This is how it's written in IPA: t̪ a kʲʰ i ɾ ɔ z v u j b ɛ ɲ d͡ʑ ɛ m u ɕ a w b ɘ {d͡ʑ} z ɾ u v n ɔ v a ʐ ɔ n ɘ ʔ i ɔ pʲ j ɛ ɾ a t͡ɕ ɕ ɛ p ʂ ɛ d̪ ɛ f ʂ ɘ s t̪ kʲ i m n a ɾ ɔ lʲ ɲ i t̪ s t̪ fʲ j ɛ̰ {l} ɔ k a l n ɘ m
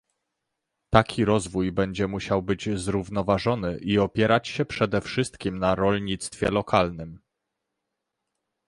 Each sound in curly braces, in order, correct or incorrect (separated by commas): correct, correct